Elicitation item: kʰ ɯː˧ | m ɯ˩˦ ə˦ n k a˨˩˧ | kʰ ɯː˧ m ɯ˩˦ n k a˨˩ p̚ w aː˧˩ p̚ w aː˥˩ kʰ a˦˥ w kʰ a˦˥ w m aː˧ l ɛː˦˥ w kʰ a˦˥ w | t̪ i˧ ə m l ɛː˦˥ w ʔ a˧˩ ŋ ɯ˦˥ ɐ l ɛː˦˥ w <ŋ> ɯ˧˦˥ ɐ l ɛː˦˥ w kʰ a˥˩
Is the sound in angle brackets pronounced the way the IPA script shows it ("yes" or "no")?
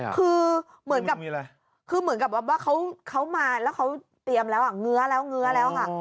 yes